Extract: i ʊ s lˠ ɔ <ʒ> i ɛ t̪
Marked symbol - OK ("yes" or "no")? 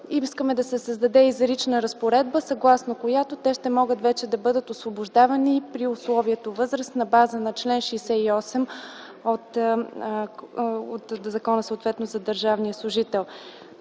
no